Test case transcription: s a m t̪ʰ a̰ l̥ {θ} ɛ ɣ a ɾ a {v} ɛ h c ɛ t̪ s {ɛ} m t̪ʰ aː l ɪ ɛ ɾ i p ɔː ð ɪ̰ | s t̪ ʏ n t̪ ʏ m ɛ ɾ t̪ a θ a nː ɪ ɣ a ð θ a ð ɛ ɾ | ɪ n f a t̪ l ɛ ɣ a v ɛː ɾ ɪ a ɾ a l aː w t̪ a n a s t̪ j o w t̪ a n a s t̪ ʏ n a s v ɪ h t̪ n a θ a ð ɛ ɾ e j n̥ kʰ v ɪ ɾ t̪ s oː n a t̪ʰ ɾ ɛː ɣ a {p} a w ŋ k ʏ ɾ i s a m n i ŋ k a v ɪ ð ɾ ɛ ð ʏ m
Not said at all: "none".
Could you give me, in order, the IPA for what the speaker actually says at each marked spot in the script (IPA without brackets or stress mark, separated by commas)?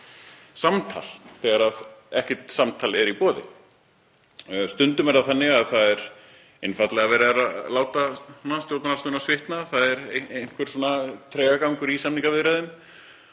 θ, ð, a, k